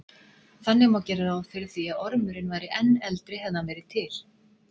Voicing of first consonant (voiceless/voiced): voiceless